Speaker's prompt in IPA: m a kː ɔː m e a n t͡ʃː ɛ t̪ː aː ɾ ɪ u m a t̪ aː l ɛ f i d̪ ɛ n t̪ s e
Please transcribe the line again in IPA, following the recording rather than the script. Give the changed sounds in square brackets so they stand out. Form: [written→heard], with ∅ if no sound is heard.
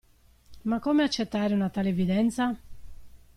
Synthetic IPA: m a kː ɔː m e a [n→∅] t͡ʃː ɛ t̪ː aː ɾ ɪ u [m→n] a t̪ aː l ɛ [f→v] i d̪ ɛ n t̪ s [e→a]